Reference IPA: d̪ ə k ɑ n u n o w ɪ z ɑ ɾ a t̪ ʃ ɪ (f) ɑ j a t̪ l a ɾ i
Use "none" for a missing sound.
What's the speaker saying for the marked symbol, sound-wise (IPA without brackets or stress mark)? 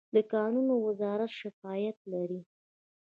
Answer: f